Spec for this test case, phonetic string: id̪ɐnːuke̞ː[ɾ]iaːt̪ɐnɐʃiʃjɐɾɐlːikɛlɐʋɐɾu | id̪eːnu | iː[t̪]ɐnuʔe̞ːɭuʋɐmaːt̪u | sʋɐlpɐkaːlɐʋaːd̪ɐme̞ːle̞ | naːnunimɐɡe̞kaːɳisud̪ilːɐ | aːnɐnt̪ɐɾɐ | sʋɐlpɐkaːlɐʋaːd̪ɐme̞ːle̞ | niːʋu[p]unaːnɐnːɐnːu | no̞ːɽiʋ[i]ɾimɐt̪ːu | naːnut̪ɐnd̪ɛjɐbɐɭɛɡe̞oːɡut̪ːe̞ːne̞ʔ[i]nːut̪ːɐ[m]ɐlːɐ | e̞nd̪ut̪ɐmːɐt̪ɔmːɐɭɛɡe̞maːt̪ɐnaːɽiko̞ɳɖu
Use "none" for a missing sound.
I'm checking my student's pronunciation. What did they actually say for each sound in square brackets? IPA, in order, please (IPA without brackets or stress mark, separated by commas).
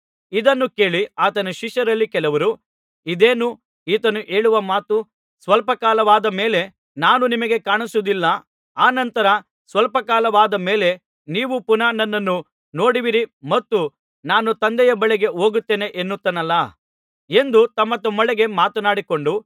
ɭ, t̪, p, i, e, n